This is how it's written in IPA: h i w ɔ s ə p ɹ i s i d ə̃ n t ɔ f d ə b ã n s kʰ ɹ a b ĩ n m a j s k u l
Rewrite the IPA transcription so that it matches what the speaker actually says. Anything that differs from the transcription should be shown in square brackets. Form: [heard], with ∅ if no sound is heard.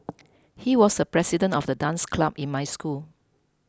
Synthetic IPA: h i w ɔ s ə p ɹ [ɛ] s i d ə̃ n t ɔ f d ə [d] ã n s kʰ [l] a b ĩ n m a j s k u l